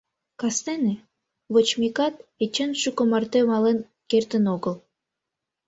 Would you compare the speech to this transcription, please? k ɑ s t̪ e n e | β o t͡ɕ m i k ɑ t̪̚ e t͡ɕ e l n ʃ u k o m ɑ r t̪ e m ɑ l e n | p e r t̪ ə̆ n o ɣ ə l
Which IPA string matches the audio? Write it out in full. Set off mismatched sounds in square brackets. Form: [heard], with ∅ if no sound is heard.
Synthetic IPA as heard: k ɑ s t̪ e n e | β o t͡ɕ m i k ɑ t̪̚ e t͡ɕ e [∅] n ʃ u k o m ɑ r t̪ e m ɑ l e n | [k] e r t̪ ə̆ n o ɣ ə l